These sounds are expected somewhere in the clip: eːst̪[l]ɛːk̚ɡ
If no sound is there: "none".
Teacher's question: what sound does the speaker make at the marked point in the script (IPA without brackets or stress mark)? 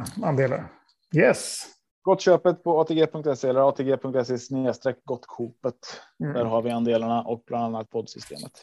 ɾ